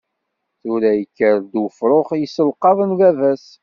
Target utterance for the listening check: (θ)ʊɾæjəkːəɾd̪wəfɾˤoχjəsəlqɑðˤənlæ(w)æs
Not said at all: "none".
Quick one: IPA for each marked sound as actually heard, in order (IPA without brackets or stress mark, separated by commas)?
θ, v